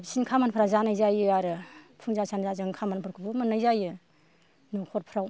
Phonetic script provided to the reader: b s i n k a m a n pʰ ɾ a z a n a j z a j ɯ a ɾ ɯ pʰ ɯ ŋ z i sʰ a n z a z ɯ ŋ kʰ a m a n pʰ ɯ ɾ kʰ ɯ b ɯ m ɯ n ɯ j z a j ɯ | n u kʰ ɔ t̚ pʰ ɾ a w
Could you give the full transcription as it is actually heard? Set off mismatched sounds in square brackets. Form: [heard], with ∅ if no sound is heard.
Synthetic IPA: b s i n [kʰ] a m a n pʰ ɾ a z a n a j z a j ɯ a ɾ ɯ pʰ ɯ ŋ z [a] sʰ a n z a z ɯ ŋ kʰ a m a n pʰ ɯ ɾ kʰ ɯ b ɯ m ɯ n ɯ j z a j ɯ | n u kʰ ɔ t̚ pʰ ɾ a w